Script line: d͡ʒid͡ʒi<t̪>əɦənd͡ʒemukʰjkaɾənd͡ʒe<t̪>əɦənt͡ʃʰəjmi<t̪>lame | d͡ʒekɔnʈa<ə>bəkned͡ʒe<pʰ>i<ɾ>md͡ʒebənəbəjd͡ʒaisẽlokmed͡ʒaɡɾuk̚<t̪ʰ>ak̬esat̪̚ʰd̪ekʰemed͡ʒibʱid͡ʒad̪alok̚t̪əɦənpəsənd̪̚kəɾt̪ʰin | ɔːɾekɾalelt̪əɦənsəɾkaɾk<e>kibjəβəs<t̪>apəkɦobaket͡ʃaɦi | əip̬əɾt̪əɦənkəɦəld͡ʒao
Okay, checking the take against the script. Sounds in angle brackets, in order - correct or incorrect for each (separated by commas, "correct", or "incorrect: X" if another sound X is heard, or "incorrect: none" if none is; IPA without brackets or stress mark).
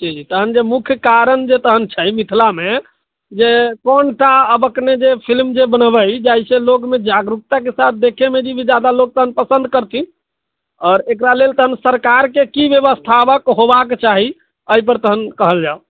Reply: correct, correct, incorrect: t̪ʰ, correct, correct, incorrect: l, incorrect: t̪, correct, incorrect: t̪ʰ